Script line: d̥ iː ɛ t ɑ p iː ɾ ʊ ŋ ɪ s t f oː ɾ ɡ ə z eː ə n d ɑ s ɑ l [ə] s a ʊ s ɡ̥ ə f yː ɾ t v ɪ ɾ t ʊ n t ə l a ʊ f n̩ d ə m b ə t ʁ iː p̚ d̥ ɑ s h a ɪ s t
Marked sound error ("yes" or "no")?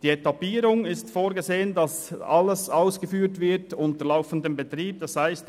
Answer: no